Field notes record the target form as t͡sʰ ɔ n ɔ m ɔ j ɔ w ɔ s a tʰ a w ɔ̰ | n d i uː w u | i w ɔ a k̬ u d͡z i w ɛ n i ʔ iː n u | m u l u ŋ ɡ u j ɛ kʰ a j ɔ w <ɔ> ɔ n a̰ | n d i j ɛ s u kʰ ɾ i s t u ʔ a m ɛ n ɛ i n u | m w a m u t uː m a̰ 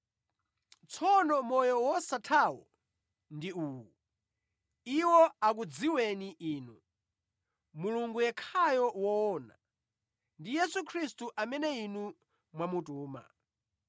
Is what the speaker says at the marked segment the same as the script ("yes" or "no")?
yes